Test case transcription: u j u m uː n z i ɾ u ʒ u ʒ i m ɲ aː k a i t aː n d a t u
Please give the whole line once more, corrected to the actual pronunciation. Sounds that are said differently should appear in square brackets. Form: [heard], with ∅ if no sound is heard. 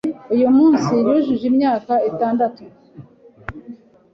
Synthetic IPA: u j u m uː n [s] i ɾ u ʒ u ʒ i m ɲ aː k a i t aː n d a t u